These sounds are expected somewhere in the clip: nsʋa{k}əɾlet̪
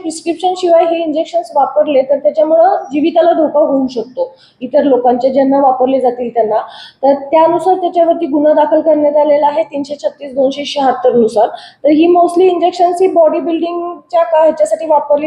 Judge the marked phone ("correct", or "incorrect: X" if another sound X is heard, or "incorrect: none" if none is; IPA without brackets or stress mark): incorrect: p